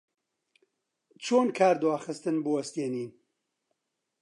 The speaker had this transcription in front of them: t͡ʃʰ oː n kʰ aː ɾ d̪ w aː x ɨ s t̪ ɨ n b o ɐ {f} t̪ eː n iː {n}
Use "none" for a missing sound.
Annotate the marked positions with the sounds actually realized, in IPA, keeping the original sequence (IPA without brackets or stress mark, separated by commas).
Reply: s, n